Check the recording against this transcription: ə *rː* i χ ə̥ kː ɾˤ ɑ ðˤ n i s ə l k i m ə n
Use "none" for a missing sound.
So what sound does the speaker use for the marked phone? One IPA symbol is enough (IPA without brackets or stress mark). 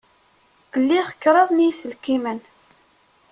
lː